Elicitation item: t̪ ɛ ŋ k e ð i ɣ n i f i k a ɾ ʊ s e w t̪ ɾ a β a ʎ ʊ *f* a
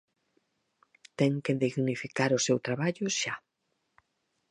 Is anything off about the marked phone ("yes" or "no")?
yes